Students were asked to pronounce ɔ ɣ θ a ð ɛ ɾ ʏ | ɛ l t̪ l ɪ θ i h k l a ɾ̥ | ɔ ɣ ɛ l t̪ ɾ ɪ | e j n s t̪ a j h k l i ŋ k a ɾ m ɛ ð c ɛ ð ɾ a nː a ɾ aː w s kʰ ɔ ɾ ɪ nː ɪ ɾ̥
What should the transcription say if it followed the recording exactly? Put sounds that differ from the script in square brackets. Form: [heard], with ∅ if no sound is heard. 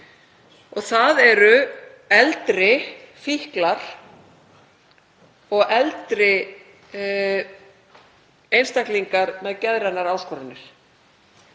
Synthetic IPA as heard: ɔ ɣ θ a ð ɛ ɾ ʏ | ɛ l t̪ [ɾ] ɪ [f] i h k l a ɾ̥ | ɔ ɣ ɛ l t̪ ɾ ɪ | e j n s t̪ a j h k l i ŋ k a ɾ m ɛ ð c ɛ ð ɾ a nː a ɾ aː w s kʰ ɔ ɾ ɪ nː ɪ ɾ̥

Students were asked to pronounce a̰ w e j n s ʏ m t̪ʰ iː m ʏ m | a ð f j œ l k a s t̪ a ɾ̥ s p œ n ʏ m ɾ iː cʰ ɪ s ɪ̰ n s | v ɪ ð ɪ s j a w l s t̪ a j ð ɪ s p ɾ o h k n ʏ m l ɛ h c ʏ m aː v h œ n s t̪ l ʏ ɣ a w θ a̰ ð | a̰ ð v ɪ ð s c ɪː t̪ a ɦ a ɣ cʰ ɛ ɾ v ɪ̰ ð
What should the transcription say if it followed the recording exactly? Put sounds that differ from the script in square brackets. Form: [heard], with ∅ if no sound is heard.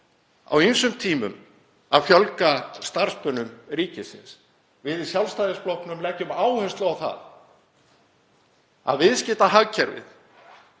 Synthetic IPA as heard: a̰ w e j n s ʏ m t̪ʰ iː m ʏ m | a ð f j œ l k a s t̪ a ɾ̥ s p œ n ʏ m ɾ iː [c] ɪ s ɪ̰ n s | v ɪ ð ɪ s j a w l s t̪ a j ð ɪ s p [l] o h k n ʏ m l ɛ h c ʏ m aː [w] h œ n s t̪ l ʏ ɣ a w θ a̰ ð | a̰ ð v ɪ ð s c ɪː t̪ a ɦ a ɣ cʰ ɛ ɾ v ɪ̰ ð

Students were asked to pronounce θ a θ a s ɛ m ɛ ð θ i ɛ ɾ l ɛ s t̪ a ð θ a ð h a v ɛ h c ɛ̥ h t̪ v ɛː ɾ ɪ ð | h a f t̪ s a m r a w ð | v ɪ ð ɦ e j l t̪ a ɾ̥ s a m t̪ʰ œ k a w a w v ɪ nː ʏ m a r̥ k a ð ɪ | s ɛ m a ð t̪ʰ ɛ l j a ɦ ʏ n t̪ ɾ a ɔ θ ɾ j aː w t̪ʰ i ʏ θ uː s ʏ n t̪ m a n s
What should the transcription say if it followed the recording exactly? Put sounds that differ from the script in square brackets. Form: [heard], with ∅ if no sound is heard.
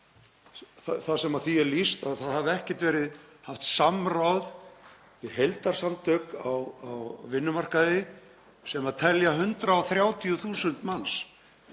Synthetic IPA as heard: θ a θ a s ɛ m [a] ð θ i ɛ ɾ l [i] s t̪ a ð θ a ð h a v ɛ h c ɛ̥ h t̪ v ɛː ɾ ɪ ð | h a f t̪ s a m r a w ð | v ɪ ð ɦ e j l t̪ a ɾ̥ s a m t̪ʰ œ k a w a w v ɪ nː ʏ m a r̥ k a ð ɪ | s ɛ m a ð t̪ʰ ɛ l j a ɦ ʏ n t̪ ɾ a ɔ θ ɾ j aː w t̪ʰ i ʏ θ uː s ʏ n t̪ m a n s

